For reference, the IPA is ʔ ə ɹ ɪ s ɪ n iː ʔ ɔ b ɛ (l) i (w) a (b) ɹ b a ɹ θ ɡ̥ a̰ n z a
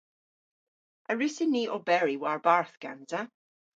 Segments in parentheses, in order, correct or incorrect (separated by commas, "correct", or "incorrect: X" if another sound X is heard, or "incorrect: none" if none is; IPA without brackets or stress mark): incorrect: ɹ, correct, incorrect: none